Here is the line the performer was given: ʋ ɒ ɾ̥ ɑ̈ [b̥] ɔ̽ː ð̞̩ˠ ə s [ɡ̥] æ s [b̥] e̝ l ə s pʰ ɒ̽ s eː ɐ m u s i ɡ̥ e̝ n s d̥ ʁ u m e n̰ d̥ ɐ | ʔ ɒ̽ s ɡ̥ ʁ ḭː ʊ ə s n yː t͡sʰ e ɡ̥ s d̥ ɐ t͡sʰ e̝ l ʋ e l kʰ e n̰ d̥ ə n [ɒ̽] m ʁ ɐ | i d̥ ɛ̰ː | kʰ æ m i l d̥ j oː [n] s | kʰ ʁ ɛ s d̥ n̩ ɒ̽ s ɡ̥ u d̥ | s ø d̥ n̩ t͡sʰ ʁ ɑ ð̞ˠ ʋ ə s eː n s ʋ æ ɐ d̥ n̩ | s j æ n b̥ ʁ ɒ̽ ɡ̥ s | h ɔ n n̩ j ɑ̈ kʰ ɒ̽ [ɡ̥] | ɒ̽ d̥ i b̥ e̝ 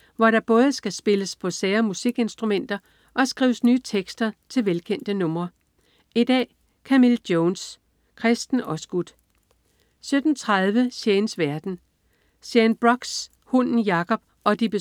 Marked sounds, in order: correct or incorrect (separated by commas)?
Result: correct, correct, correct, incorrect, correct, incorrect